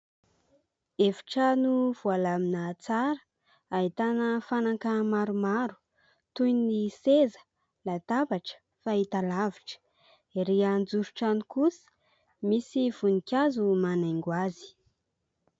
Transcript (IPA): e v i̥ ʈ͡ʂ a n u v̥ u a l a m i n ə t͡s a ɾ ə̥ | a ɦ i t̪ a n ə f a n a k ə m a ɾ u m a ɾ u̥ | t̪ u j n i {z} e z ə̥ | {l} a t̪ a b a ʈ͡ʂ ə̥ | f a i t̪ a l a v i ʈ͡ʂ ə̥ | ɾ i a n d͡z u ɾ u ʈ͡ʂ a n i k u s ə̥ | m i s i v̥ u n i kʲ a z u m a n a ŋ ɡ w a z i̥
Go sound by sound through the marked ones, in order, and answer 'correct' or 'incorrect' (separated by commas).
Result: incorrect, correct